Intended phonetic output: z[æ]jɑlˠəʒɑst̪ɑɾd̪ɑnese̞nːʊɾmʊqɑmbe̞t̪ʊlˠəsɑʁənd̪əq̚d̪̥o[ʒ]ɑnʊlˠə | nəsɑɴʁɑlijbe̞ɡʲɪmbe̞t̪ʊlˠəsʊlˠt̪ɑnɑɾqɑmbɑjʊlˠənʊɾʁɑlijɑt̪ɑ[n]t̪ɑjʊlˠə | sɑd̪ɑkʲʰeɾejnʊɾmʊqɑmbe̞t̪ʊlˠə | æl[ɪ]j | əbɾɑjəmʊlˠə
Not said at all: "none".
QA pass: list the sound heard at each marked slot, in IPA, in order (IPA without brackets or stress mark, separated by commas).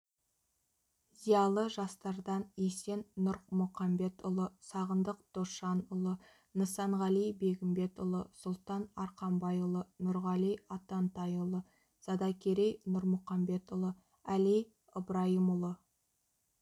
i, ʃ, n, i